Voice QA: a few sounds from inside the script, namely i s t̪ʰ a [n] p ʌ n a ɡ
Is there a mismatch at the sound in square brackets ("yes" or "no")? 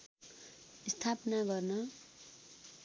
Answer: yes